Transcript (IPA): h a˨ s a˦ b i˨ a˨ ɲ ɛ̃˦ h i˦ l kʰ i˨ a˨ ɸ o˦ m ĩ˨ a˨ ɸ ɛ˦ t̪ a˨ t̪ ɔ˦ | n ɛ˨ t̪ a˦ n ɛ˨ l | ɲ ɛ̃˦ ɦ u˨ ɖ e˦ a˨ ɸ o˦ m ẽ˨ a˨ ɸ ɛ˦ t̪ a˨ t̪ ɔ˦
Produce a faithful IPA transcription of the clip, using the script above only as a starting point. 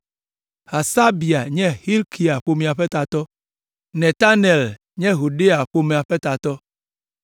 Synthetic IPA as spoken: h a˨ s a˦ b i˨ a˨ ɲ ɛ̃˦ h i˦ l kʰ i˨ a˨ ɸ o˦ m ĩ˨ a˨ ɸ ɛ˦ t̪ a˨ t̪ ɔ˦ | n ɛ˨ t̪ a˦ n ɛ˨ l | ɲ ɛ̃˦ ɦ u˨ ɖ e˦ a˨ ɸ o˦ m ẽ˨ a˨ ɸ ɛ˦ t̪ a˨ t̪ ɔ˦